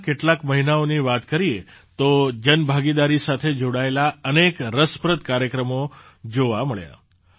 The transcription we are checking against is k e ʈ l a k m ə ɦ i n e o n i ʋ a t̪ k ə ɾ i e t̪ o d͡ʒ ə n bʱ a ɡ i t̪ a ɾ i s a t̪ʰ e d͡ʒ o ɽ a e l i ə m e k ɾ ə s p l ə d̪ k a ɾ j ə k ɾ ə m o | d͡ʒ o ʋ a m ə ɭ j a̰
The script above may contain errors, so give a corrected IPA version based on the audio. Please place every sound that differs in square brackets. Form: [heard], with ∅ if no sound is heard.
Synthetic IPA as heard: k e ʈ l a k m ə ɦ i n [a] o n i ʋ a t̪ k ə ɾ i e t̪ o d͡ʒ ə n bʱ a ɡ i [d̪] a ɾ i s a t̪ʰ e d͡ʒ o ɽ a e l [a] ə [n] e k ɾ ə s p [ɾ] ə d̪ k a ɾ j ə k ɾ ə m o | d͡ʒ o ʋ a m ə ɭ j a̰